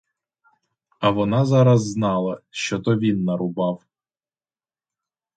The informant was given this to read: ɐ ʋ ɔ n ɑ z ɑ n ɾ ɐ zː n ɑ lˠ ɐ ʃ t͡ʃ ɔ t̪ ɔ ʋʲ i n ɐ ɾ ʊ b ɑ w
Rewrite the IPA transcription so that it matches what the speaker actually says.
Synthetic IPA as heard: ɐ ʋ ɔ n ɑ z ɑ ɾ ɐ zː n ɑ lˠ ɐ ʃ t͡ʃ ɔ t̪ ɔ ʋʲ i nː ɐ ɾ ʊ b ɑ w